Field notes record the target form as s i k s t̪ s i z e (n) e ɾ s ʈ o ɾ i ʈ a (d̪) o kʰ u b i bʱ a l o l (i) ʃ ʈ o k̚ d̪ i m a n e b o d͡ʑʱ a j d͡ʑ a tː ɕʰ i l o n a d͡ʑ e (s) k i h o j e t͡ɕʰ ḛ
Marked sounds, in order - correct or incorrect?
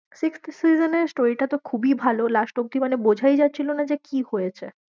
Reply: correct, incorrect, incorrect, incorrect

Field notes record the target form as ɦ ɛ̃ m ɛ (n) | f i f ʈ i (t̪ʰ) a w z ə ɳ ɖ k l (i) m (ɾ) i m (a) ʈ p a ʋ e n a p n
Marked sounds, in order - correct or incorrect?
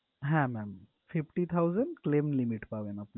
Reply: incorrect, correct, incorrect, incorrect, incorrect

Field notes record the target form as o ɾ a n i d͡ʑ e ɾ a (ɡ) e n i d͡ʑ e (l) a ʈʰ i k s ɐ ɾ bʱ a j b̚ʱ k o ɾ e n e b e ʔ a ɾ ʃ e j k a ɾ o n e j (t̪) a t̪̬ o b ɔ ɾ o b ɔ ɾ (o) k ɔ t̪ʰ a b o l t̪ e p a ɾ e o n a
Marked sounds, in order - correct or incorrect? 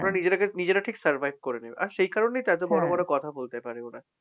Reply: incorrect, incorrect, correct, correct

